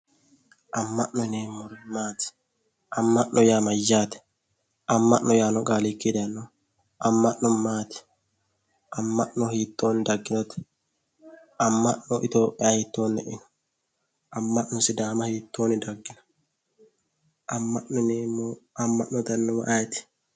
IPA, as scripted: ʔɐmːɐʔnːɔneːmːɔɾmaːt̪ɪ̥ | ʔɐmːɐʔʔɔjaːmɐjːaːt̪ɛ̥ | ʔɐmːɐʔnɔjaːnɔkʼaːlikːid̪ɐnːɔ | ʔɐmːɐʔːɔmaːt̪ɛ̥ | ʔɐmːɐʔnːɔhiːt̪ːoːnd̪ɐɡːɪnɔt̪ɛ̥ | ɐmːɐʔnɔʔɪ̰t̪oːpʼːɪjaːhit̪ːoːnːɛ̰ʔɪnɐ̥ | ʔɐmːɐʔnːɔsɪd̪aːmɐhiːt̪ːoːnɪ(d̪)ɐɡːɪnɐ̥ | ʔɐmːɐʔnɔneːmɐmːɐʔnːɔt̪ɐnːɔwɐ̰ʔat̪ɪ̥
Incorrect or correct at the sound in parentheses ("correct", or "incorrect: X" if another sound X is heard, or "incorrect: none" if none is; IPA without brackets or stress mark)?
correct